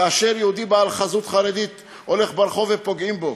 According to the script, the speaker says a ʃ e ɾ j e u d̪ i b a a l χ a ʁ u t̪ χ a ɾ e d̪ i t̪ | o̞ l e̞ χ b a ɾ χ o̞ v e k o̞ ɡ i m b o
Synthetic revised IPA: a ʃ e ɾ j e u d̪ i b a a l χ a z u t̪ χ a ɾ e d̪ i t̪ | o̞ l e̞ χ b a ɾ χ o̞ v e p o̞ ɡ i m b o